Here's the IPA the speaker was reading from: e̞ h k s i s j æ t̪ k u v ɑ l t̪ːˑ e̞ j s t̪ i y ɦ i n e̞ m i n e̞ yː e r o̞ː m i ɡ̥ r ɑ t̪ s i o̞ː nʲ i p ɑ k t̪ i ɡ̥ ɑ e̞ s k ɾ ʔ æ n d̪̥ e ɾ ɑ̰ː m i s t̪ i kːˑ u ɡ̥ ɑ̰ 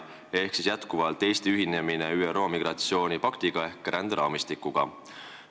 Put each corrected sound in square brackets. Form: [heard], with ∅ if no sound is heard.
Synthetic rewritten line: e̞ h k s i s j æ t̪ k u v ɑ l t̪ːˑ e̞ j s t̪ i y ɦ i n e̞ m i n e̞ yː e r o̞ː m i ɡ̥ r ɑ t̪ s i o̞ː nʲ i p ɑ k t̪ i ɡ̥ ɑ e̞ [h] k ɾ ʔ æ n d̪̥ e ɾ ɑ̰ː m i s t̪ i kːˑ u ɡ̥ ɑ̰

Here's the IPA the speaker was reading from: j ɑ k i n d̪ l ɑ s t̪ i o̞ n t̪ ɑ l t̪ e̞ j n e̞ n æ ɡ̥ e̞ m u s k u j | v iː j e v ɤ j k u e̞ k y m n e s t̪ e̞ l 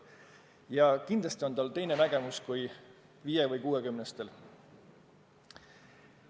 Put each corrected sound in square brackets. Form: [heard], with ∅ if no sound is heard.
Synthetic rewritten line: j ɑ k i n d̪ l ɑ s t̪ i o̞ n t̪ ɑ l t̪ e̞ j n e̞ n æ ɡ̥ e̞ m u s k u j | v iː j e v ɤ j k [uː] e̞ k y m n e s t̪ e̞ l

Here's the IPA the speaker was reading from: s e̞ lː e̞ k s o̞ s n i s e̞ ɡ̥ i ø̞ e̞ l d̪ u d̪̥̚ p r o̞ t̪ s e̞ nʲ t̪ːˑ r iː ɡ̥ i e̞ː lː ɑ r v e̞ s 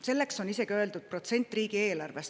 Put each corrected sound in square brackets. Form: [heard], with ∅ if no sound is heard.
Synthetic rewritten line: s e̞ lː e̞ k s o̞ [∅] n i s e̞ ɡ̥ i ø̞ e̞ l d̪ u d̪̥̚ p r o̞ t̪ s e̞ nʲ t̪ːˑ r iː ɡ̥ i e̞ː [l] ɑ r v e̞ s

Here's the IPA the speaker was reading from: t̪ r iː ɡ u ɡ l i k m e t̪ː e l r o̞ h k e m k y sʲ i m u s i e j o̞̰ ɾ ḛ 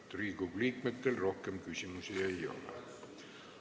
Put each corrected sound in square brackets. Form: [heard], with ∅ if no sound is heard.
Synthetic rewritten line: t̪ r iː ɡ u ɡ l [iː] k m e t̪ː e l r o̞ h k e m k y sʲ i m u s i e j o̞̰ [l] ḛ

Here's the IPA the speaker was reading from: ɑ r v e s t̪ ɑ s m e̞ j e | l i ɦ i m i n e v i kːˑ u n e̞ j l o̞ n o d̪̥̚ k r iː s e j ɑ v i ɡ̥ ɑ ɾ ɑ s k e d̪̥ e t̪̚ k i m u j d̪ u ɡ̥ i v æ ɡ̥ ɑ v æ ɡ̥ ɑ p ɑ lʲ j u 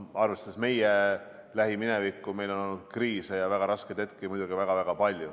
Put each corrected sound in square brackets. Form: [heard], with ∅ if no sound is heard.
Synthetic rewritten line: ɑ r v e s t̪ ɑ s m e̞ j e | l [æ] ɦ i m i n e v i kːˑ u [m] e̞ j l o̞ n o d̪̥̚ k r iː s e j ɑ v [æ] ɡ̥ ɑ ɾ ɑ s k e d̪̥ e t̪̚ k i m u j d̪ u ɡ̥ i v æ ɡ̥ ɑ v æ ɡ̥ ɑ p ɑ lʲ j u

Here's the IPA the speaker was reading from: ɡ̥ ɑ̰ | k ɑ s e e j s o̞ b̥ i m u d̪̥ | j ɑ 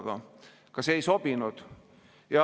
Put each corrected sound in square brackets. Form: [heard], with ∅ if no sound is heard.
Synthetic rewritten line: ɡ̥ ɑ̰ | k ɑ s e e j s o̞ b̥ i [n] u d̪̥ | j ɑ

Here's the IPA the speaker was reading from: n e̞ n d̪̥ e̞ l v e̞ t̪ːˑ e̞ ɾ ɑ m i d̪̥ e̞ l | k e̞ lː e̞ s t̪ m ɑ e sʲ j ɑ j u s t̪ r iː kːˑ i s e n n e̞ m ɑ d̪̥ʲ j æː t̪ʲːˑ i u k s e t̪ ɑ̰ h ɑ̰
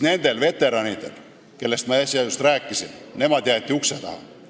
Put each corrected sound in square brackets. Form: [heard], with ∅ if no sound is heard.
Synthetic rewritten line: n e̞ n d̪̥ e̞ l v e̞ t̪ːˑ e̞ ɾ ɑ [n] i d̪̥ e̞ l | k e̞ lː e̞ s t̪ m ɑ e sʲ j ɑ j u s t̪ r [æː] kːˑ i s [i] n n e̞ m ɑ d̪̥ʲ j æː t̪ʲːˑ i u k s e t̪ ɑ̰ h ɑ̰

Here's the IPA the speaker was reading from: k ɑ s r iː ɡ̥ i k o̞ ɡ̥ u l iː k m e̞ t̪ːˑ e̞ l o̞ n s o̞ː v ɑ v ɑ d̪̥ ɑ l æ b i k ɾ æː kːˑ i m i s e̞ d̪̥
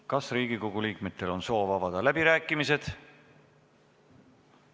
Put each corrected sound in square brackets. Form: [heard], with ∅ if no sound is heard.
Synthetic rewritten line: k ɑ s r iː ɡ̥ i k o̞ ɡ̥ u l iː k m e̞ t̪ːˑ e̞ l o̞ n s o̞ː v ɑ v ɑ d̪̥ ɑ l æ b i [∅] ɾ æː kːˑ i m i s e̞ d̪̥

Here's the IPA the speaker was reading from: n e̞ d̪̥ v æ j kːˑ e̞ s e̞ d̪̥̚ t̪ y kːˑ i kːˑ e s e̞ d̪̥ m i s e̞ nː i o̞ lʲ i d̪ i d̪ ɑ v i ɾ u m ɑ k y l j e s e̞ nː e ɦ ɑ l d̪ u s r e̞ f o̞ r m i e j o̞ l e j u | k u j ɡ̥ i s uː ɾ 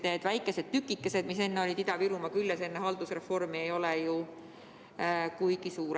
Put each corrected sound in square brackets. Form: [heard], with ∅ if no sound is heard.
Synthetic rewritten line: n e̞ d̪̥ v æ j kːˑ e̞ s e̞ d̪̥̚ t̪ y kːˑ i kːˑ e s e̞ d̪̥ m i s e̞ nː [e] o̞ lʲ i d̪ i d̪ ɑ v i ɾ u m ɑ k y l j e s e̞ nː e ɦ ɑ l d̪ u s r e̞ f o̞ r m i e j o̞ l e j u | k u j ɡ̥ i s uː ɾ

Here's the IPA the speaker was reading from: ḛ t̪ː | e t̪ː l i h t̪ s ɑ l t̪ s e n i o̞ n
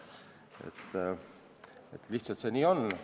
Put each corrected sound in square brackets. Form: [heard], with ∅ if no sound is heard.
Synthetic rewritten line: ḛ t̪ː | e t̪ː l i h t̪ s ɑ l t̪ s e n [iː] o̞ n

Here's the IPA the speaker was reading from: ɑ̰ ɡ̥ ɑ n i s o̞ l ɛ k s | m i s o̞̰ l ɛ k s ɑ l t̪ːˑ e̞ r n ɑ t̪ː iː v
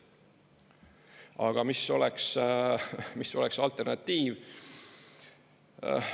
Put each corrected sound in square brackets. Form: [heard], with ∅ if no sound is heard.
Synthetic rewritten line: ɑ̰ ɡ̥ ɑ [m] i s o̞ l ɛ k s | m i s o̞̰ l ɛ k s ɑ l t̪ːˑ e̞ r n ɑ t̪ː iː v

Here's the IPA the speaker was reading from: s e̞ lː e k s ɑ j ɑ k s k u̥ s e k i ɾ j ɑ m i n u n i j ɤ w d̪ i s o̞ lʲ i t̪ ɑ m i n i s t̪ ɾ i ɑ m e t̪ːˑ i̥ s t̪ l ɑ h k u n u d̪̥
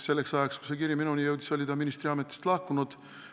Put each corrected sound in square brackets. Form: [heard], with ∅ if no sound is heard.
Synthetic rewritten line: s e̞ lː e k s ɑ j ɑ k s k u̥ s e k i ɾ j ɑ m i n u n i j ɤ w d̪ i s o̞ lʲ i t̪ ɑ m i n i s t̪ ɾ i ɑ m e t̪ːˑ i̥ s t̪ l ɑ h k u n u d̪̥

